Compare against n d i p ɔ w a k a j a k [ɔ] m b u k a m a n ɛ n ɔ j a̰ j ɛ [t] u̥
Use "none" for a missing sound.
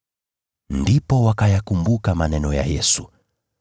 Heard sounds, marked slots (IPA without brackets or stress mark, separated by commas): u, s